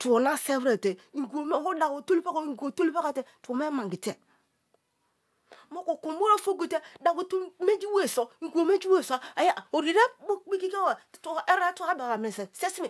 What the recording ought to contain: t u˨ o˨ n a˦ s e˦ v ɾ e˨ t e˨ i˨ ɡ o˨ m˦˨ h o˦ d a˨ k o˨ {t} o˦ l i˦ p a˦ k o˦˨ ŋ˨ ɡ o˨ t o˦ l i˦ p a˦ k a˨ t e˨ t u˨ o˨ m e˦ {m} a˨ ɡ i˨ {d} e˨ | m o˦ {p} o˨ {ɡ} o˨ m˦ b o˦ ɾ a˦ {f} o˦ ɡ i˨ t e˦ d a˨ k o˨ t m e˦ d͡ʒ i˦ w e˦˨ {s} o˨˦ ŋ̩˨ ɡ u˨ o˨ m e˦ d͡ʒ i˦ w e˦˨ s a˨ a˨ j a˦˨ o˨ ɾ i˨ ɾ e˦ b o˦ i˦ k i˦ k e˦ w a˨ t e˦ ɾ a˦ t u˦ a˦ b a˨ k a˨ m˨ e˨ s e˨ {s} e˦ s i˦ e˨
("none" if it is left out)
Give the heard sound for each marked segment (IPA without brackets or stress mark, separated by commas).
t, m, t, k, k, f, s, s